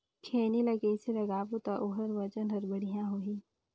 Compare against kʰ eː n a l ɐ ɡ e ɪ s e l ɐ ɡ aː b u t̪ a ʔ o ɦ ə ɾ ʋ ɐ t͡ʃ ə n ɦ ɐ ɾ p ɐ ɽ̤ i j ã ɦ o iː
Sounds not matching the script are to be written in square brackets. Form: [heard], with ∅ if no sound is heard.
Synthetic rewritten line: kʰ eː n [i] l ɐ ɡ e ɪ s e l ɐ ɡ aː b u t̪ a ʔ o ɦ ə ɾ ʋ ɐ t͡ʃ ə n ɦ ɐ ɾ [b] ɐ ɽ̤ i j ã ɦ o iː